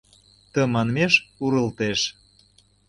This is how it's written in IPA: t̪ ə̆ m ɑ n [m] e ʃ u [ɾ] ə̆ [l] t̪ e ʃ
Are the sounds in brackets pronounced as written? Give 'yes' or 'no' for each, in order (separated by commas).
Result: yes, yes, yes